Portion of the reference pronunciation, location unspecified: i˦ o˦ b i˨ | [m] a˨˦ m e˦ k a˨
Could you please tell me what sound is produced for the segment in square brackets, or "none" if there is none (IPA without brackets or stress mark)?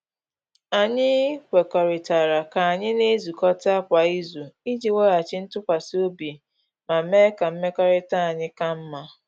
m